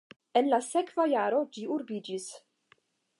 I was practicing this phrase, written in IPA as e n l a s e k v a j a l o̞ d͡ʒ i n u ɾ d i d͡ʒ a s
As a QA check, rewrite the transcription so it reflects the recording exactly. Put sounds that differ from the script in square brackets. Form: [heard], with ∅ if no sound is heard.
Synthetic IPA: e n l a s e k v a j a [ɾ] o̞ d͡ʒ i [∅] u ɾ [b] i d͡ʒ [i] s